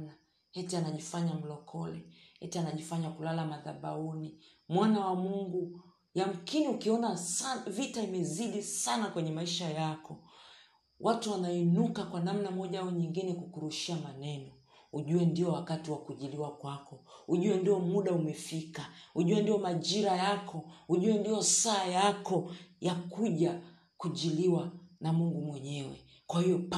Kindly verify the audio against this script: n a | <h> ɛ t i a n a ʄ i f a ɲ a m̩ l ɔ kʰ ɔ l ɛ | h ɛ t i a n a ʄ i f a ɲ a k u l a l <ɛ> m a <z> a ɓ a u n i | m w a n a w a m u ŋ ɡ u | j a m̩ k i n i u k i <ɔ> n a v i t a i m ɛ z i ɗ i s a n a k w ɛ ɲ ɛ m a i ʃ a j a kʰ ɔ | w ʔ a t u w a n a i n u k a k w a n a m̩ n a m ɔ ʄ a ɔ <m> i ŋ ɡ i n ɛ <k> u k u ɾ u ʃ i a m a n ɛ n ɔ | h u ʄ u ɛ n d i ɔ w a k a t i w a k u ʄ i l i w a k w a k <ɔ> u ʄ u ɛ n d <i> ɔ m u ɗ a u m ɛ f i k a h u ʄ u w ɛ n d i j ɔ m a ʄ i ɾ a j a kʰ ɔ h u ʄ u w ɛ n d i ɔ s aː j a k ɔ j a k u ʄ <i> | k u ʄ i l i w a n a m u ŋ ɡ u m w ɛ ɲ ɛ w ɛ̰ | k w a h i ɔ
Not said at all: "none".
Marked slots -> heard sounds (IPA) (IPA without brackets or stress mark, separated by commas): h, a, ð, ɔ, ɲ, k, ɔ, i, a